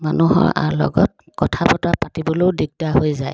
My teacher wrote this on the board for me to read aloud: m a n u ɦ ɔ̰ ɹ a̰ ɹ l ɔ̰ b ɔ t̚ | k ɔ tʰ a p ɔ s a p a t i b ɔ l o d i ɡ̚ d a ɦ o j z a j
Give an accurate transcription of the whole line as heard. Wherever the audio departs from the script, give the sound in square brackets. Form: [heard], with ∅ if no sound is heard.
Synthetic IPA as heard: m a n u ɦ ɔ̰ ɹ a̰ ɹ l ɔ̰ [ɡ] ɔ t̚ | k ɔ tʰ a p ɔ [t] a p a t i b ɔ l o d i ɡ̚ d a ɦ o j z a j

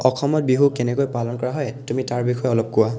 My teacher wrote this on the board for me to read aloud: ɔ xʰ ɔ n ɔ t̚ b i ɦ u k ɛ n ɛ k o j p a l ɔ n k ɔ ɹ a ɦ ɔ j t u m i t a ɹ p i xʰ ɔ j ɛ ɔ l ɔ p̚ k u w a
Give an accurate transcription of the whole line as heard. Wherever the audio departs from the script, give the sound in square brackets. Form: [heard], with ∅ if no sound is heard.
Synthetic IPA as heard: ɔ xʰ ɔ [m] ɔ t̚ b i ɦ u k ɛ n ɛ k o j p a l ɔ n k ɔ ɹ a ɦ ɔ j t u m i t a ɹ [b] i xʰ ɔ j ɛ ɔ l ɔ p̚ k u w a

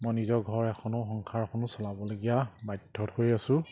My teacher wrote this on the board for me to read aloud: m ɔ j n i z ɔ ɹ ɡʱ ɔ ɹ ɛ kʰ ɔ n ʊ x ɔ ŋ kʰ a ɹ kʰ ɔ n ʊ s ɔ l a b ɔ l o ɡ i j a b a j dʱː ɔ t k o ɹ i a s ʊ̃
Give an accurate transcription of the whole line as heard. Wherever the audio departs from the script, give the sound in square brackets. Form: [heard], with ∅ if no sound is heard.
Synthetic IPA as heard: m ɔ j n i z ɔ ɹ ɡʱ ɔ ɹ ɛ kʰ ɔ n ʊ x ɔ ŋ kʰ a ɹ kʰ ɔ n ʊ s ɔ l a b ɔ l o ɡ i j a b a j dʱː ɔ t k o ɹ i a s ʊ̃

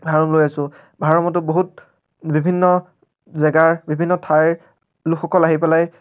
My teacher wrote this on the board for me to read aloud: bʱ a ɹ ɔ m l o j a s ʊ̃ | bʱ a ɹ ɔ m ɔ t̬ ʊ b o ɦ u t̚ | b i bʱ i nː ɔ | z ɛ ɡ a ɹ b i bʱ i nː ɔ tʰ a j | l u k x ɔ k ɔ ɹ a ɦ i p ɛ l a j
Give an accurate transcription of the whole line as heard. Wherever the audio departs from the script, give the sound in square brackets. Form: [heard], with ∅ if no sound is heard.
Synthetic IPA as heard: bʱ a ɹ ɔ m l o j a s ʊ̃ | bʱ a ɹ ɔ m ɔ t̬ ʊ b o ɦ u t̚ | b i bʱ i nː ɔ | z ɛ ɡ a ɹ b i bʱ i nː ɔ tʰ a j | l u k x ɔ k ɔ [l] a ɦ i p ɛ l a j

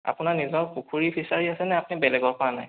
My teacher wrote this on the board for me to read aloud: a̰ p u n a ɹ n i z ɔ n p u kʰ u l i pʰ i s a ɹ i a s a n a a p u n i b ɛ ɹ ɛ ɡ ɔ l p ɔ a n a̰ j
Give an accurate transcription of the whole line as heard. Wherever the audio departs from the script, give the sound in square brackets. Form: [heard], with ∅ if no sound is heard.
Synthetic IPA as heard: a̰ p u n a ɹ n i z ɔ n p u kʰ u [ɹ] i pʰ i s a ɹ i a s [ɛ] n [ɛ] a p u n i b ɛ [l] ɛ ɡ ɔ [ɹ] p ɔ a n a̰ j

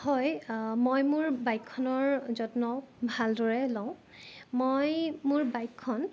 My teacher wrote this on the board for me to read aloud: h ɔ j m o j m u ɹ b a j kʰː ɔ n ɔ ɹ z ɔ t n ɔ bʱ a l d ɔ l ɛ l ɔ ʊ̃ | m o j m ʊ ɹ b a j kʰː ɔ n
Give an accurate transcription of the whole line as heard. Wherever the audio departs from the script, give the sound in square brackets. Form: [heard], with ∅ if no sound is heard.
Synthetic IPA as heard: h ɔ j m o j m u ɹ b a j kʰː ɔ n ɔ ɹ z ɔ t n ɔ bʱ a l d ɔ [ɹ] ɛ l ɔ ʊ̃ | m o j m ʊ ɹ b a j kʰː ɔ n

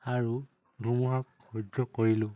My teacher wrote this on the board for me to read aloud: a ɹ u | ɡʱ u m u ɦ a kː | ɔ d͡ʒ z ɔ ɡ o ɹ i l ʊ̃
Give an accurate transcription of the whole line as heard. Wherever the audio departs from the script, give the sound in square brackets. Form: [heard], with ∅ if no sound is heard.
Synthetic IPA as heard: a ɹ u | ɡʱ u m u ɦ a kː | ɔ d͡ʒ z ɔ [k] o ɹ i l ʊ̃

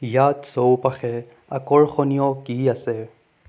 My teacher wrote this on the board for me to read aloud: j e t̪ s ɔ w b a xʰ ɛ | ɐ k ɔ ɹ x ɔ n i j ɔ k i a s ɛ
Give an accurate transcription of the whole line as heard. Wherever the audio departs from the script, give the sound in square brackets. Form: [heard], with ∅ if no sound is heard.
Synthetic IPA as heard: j [a] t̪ s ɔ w [p] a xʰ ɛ | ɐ k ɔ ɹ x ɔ n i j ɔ k i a s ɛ

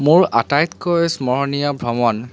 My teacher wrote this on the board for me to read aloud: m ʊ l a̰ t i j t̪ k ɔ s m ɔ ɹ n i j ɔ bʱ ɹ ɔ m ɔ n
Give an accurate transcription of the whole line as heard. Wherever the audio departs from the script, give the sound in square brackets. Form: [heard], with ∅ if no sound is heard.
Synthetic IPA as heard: m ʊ [ɹ] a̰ t [a] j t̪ k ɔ s m ɔ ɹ n i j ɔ bʱ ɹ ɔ m ɔ n

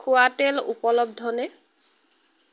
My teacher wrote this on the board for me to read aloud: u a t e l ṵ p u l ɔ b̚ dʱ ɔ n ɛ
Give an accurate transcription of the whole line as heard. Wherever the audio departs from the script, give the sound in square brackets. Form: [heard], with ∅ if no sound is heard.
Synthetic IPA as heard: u a t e l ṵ p [ɔ] l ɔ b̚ dʱ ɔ n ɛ

